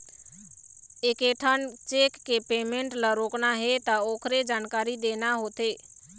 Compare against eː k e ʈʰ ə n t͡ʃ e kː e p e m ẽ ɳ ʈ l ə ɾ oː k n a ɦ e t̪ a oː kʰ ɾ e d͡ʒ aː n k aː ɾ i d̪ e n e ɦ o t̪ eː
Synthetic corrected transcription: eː k e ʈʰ ə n t͡ʃ e kː e p e m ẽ ɳ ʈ l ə ɾ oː k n a ɦ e t̪ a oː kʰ ɾ e d͡ʒ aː n k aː ɾ i d̪ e n a ɦ o t̪ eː